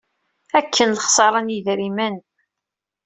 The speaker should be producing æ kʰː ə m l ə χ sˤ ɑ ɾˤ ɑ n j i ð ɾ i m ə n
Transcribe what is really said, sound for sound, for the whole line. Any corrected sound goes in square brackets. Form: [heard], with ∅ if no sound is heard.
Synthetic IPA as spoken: æ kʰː ə [n] l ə χ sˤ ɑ ɾˤ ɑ n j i ð ɾ i m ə n